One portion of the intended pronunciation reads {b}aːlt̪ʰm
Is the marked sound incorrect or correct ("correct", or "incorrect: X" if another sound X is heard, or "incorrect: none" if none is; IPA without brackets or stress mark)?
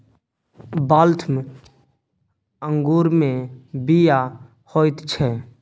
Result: correct